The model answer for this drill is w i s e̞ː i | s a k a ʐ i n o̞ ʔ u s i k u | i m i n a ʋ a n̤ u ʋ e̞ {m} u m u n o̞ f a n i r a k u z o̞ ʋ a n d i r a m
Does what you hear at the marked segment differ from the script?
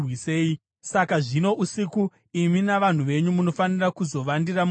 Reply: yes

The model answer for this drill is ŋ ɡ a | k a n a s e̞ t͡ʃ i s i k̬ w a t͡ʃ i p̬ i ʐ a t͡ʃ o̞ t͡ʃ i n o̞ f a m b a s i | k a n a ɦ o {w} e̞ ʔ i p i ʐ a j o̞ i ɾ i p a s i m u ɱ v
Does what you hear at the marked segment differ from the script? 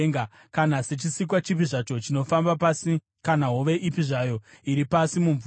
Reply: yes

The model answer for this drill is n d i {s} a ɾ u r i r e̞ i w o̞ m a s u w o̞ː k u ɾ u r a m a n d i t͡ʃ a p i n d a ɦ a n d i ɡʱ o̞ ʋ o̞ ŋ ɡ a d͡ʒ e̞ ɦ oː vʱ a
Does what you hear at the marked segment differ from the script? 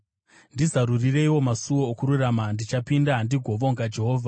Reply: yes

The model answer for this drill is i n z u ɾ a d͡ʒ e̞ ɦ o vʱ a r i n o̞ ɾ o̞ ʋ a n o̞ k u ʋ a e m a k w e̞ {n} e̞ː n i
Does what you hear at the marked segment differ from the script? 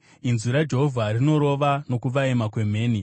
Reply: yes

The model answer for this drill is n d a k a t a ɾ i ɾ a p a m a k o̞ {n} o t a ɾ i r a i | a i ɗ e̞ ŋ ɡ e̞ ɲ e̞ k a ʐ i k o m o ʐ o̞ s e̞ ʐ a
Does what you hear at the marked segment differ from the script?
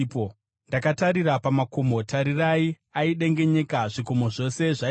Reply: yes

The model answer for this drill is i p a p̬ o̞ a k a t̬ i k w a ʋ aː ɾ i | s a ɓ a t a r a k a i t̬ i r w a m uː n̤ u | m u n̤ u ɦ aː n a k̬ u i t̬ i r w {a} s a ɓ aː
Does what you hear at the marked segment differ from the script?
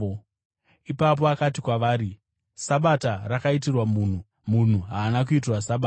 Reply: no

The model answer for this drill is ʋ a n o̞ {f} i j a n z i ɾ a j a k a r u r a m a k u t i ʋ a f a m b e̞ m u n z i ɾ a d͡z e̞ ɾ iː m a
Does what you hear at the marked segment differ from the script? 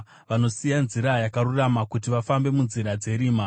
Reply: yes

